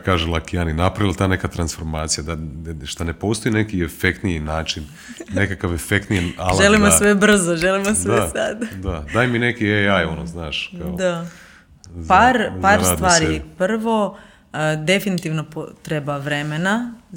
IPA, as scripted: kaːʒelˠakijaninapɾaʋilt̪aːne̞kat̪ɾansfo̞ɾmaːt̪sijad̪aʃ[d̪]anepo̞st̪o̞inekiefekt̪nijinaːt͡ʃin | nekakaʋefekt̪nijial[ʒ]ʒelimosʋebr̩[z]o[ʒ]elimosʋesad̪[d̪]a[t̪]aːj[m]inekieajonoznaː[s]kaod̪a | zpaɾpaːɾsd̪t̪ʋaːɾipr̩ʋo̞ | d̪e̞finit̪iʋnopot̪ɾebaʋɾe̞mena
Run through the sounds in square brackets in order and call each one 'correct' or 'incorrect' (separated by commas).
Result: incorrect, correct, correct, correct, correct, incorrect, correct, incorrect